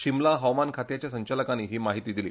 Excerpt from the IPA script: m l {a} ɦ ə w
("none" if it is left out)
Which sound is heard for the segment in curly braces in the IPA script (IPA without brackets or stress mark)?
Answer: a